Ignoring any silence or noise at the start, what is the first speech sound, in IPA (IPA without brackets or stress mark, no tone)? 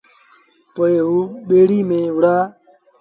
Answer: p